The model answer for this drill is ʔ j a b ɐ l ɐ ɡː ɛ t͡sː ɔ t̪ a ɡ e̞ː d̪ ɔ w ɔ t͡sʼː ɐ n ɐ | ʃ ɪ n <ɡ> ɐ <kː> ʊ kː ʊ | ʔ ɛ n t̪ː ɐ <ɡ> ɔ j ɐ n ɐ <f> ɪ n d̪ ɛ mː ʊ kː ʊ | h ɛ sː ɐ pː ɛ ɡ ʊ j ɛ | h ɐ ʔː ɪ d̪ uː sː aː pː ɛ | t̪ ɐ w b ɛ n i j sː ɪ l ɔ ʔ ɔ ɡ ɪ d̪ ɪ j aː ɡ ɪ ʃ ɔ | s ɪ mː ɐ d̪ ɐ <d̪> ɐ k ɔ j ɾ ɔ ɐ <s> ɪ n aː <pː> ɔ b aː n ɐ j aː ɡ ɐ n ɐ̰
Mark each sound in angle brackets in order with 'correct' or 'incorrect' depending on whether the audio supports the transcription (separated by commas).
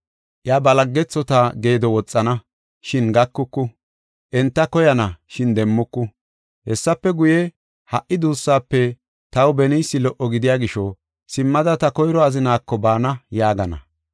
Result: correct, correct, incorrect, incorrect, incorrect, incorrect, incorrect